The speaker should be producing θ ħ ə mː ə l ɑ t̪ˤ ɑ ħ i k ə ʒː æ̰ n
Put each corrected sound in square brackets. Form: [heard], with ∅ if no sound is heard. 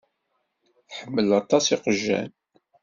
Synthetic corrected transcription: θ ħ ə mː ə l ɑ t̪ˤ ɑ [s] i [q] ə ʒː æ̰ n